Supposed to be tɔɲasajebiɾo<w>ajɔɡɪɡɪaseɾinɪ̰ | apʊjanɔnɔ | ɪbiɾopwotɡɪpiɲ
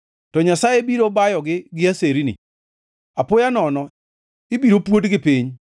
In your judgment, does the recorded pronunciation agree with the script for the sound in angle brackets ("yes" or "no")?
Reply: no